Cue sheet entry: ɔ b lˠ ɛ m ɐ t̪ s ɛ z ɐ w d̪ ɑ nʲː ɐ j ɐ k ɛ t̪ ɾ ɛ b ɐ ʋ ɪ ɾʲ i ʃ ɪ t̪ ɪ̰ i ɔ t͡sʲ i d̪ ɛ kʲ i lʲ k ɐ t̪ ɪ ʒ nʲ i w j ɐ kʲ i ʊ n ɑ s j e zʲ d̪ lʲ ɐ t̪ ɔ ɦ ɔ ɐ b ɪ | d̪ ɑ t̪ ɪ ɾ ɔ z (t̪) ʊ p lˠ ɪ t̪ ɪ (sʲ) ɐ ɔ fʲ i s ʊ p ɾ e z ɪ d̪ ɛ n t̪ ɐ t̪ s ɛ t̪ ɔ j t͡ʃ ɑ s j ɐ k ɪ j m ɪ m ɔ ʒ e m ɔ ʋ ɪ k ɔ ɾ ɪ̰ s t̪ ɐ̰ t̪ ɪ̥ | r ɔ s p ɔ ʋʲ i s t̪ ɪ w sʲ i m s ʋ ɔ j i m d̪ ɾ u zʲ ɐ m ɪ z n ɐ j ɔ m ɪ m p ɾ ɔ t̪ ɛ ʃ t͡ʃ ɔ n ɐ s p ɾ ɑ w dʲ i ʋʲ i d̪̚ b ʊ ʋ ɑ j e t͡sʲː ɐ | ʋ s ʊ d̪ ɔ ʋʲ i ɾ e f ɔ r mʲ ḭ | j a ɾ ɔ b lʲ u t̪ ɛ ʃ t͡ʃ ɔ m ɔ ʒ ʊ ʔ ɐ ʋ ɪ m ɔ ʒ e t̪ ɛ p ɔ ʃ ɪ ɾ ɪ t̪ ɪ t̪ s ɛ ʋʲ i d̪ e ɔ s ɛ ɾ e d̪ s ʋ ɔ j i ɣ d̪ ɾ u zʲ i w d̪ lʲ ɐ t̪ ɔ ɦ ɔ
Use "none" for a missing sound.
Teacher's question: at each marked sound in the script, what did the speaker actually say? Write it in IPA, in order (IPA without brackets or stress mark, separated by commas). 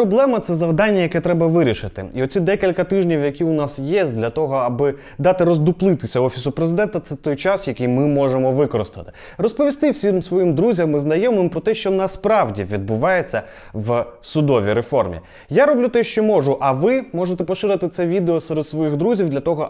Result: d̪, sʲ